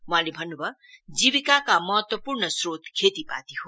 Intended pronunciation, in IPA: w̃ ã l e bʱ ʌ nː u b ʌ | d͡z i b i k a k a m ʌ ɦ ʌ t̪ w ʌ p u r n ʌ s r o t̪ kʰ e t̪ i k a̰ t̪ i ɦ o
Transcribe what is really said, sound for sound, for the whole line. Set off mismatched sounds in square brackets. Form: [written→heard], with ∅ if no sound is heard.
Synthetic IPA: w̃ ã l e bʱ ʌ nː u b ʌ | d͡z i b i k a k a m ʌ ɦ ʌ t̪ w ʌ p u r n ʌ s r o t̪ kʰ e t̪ i [k→p] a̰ t̪ i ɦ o